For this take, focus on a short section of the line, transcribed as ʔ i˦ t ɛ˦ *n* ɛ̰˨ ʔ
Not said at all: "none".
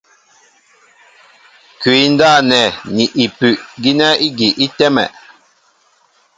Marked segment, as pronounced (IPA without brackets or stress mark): m